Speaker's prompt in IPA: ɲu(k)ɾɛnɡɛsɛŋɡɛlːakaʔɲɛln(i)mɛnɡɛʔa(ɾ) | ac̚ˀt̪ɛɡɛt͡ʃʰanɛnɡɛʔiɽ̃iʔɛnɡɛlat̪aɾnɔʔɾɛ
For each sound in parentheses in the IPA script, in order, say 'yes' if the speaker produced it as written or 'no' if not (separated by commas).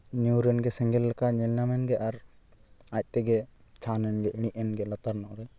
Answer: no, no, yes